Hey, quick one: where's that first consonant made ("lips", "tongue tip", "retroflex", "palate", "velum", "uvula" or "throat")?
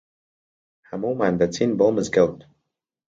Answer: throat